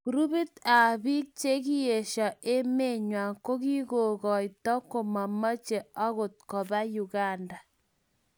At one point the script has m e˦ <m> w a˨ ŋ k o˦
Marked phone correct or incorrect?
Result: incorrect